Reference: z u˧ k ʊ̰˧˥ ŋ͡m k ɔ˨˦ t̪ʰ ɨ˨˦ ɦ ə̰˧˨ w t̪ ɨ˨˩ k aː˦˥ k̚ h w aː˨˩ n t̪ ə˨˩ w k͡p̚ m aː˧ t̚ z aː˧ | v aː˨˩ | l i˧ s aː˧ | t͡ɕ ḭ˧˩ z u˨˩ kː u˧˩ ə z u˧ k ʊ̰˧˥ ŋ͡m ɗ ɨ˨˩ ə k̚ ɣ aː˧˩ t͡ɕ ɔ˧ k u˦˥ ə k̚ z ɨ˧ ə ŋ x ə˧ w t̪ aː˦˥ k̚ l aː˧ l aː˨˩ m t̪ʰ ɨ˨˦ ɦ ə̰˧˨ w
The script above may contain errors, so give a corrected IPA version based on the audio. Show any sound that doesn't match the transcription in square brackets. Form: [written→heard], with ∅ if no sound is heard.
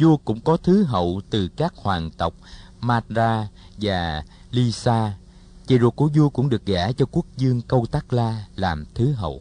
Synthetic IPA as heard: z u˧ k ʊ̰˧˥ ŋ͡m k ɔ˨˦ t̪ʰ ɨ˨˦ ɦ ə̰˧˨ w t̪ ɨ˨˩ k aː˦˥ k̚ h w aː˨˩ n t̪ ə˨˩ w k͡p̚ m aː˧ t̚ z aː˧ | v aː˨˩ | l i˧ s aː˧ | t͡ɕ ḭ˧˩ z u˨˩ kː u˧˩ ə z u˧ k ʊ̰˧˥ ŋ͡m ɗ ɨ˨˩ ə k̚ ɣ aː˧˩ t͡ɕ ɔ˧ k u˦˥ ə k̚ z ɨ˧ ə ŋ [x→k] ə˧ w t̪ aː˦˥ k̚ l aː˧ l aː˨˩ m t̪ʰ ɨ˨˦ ɦ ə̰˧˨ w